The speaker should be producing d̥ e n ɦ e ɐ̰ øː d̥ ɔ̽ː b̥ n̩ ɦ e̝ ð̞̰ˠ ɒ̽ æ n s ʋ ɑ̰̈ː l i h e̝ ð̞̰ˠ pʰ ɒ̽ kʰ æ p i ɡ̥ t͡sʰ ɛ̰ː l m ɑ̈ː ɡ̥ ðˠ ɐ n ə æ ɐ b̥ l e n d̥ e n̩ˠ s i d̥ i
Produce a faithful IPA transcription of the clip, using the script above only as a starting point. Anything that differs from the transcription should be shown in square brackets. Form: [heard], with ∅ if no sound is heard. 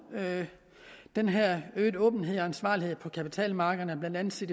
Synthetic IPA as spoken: d̥ e n ɦ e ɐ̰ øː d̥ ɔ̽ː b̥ n̩ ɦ e̝ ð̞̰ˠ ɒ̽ æ n s ʋ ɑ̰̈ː l i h e̝ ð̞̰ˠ pʰ ɒ̽ kʰ æ p i [∅] t͡sʰ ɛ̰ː l m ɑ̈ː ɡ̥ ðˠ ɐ n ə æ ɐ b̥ l [æ] n d̥ [æ] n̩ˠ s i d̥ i